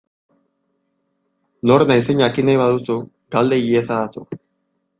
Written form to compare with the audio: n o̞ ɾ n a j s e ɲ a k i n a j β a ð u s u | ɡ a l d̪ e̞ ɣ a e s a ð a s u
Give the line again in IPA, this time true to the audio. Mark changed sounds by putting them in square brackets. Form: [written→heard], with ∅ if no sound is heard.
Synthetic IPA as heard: n o̞ ɾ n a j s e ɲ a k i n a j β a ð u s u | ɡ a l d̪ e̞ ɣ [a→i] e s a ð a s u